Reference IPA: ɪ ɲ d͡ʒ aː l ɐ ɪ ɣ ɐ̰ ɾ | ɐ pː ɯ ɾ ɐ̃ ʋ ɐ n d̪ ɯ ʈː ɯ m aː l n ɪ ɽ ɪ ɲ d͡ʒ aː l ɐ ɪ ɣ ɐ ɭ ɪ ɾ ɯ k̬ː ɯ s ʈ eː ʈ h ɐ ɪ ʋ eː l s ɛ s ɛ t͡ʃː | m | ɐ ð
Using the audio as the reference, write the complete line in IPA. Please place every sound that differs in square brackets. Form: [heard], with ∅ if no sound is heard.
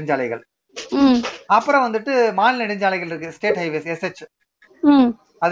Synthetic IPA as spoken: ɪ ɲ d͡ʒ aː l ɐ ɪ ɣ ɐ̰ [ɭ] | ɐ pː ɯ ɾ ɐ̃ ʋ ɐ n d̪ ɯ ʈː ɯ m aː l n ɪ ɽ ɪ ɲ d͡ʒ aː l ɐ ɪ ɣ ɐ ɭ ɪ ɾ ɯ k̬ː ɯ s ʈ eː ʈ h ɐ ɪ ʋ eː [∅] s ɛ s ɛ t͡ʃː | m | ɐ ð